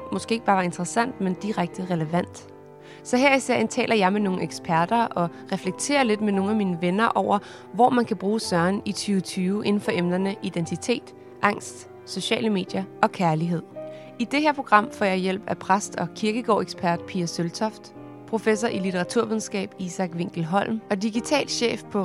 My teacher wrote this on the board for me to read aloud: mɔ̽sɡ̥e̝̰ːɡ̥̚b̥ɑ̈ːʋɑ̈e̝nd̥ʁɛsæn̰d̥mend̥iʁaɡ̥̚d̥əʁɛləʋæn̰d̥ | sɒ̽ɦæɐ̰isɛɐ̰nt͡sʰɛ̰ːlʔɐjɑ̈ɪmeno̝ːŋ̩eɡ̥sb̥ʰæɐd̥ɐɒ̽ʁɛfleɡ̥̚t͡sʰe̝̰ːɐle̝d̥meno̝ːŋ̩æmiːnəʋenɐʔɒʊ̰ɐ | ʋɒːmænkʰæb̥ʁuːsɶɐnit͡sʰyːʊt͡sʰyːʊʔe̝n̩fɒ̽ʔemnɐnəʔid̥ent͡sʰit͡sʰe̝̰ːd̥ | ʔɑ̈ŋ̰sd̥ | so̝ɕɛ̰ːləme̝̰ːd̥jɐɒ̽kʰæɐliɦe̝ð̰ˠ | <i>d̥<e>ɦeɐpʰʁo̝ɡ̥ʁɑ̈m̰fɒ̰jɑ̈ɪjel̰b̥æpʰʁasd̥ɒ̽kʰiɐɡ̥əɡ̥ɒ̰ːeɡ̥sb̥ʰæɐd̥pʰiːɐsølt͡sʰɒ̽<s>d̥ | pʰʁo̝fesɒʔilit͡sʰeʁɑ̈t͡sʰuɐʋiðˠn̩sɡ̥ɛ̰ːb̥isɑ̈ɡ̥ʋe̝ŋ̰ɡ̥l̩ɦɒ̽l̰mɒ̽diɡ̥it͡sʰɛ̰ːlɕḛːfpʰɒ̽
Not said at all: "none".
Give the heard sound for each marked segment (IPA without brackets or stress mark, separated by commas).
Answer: i, e, f